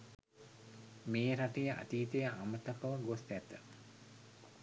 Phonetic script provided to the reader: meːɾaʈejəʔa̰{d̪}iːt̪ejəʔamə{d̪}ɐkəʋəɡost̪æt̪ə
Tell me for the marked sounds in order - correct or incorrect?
incorrect: t̪, incorrect: t̪

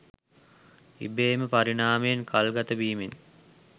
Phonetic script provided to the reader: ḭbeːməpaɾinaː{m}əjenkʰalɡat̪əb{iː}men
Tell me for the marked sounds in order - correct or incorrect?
correct, correct

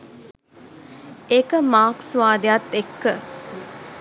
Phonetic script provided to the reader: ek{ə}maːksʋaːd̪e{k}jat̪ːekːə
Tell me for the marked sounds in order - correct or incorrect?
correct, incorrect: none

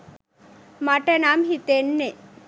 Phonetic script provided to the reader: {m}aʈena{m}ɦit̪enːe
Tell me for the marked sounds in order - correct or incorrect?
correct, correct

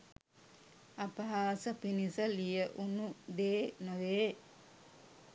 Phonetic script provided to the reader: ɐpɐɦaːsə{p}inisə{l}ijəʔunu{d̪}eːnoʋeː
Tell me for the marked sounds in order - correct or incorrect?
correct, correct, correct

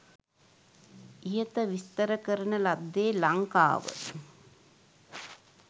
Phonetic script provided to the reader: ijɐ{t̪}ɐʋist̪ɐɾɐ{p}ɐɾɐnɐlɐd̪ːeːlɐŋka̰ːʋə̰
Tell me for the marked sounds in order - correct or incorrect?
correct, incorrect: k

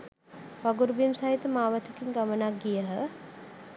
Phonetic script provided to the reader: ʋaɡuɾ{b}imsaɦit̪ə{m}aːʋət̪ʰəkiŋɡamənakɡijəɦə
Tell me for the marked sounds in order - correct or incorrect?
correct, correct

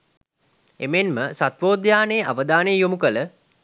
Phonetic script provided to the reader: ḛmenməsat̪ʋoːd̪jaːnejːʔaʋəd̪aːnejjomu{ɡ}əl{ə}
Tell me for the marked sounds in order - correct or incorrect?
incorrect: k, correct

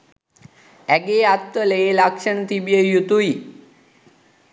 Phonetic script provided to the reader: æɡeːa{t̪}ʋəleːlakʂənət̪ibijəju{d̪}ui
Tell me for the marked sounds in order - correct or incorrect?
correct, incorrect: t̪

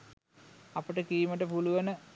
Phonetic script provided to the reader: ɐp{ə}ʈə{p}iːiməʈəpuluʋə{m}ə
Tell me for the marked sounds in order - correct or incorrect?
correct, incorrect: k, incorrect: n

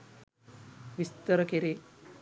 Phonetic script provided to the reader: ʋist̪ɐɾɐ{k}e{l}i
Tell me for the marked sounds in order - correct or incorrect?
correct, incorrect: ɾ

